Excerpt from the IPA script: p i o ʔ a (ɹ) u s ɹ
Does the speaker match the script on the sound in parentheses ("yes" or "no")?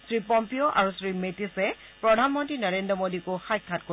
yes